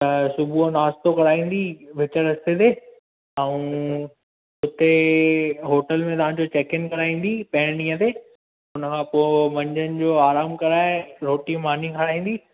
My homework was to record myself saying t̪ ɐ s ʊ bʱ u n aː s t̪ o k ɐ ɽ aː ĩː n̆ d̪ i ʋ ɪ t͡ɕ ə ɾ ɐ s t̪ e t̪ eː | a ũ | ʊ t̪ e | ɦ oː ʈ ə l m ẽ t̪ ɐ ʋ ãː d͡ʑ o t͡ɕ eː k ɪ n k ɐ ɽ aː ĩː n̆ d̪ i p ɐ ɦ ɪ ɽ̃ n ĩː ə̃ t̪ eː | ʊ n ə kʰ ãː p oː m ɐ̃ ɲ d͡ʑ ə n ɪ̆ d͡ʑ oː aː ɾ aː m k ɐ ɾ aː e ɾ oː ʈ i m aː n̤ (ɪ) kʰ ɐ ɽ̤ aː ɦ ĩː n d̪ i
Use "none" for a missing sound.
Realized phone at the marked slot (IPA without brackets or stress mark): i